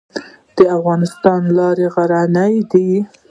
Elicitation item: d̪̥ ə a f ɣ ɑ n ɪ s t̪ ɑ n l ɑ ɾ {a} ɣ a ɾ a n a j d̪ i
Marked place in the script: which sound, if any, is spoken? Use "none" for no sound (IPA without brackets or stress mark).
e